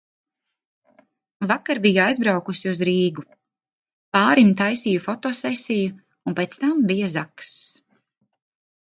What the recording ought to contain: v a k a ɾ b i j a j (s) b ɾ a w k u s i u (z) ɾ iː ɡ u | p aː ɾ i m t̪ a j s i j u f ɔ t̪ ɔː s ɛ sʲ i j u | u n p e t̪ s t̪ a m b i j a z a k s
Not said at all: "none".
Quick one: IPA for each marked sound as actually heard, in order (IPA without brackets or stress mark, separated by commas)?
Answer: z, z